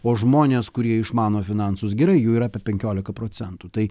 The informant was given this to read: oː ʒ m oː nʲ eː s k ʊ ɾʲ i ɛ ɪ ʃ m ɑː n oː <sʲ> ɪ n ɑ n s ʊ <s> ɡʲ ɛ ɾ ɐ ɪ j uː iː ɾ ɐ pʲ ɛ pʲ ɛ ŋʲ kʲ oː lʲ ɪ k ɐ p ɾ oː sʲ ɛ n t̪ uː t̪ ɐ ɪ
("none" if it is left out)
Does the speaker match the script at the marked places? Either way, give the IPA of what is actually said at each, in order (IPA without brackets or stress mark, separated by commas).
fʲ, s